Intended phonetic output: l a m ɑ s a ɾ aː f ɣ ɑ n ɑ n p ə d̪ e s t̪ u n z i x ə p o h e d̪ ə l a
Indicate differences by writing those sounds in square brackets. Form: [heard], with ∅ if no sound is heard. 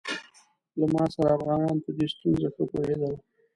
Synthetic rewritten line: l a m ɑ s a ɾ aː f ɣ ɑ n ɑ n p ə d̪ e s t̪ u n z [a] x ə p o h e d̪ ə l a